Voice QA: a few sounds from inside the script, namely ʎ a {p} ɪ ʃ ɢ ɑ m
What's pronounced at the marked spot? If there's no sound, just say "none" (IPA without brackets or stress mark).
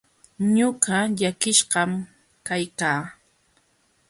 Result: k